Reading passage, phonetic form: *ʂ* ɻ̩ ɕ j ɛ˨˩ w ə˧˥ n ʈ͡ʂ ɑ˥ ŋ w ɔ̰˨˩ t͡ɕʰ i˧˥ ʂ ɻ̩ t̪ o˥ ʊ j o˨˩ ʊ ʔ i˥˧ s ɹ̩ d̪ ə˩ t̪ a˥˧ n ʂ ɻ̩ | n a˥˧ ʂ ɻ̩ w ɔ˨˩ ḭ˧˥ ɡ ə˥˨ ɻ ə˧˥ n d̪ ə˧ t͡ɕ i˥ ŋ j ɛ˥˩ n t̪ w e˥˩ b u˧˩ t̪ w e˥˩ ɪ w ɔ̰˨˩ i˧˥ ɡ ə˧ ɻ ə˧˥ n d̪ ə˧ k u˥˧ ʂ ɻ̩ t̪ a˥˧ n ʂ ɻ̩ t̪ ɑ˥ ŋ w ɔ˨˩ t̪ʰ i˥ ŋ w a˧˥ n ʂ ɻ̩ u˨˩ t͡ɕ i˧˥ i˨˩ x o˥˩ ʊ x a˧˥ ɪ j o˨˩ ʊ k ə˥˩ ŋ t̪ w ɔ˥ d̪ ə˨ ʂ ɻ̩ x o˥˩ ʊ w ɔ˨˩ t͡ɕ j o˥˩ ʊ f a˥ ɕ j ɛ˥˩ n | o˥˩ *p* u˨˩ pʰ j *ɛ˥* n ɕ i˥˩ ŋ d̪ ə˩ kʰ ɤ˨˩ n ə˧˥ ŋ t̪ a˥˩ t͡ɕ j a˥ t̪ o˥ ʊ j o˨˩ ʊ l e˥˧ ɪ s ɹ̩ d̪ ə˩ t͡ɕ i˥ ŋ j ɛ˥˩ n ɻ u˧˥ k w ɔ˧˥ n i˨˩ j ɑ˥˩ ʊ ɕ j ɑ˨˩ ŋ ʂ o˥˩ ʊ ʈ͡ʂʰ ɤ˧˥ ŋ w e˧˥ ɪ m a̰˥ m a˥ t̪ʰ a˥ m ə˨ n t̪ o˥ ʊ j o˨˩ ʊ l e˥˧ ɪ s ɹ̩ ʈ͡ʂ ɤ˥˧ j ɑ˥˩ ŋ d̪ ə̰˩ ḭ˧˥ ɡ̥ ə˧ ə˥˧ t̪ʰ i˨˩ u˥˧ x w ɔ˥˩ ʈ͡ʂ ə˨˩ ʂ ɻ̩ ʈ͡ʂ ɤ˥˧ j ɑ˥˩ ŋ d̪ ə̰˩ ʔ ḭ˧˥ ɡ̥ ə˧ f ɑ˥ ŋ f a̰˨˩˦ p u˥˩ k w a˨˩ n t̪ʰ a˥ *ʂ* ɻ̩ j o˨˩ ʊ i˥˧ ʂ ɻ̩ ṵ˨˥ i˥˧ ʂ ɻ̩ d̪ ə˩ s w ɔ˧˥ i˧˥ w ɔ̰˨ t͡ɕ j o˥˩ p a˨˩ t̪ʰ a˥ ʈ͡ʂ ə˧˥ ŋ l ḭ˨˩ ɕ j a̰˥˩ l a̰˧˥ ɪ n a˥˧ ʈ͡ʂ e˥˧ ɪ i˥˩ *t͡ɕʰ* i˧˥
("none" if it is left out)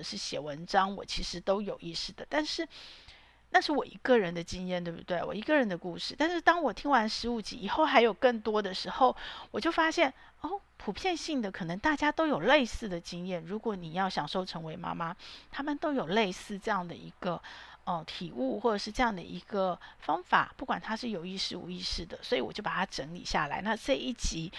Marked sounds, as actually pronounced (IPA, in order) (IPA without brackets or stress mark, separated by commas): ʂ, pʰ, ɛ˥˧, ʂ, t͡ɕ